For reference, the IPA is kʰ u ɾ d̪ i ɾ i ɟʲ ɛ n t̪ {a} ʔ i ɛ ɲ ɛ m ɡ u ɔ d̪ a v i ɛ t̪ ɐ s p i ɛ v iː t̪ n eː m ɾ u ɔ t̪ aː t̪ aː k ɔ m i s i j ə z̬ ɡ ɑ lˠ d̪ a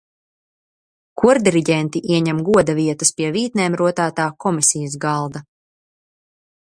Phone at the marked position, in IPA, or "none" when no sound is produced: i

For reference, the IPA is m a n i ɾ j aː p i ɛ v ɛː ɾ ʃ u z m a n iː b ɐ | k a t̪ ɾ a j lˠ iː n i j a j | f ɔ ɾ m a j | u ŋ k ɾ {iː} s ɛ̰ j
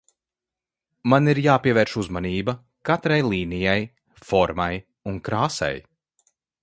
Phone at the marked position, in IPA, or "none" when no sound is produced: aː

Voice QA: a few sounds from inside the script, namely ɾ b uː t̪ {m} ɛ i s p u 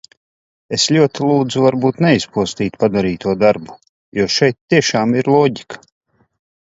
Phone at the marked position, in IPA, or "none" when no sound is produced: n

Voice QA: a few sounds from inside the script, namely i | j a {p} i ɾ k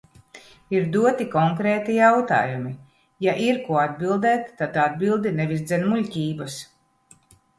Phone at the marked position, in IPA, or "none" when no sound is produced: ʔ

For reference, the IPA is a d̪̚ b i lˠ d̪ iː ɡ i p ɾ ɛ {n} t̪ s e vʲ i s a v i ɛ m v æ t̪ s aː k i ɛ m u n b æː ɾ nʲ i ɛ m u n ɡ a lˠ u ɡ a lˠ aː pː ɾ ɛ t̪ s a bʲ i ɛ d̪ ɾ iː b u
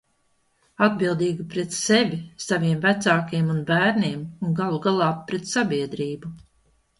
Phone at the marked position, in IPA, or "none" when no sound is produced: none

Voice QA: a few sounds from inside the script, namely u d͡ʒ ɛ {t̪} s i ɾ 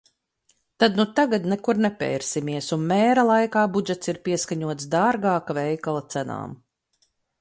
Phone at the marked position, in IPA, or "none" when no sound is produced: t̪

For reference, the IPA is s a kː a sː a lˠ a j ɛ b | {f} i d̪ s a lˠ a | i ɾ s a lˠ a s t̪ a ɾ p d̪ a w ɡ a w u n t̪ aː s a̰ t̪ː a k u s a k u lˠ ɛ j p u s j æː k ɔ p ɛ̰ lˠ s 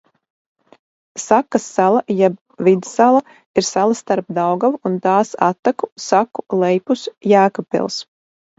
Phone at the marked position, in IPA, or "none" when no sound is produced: v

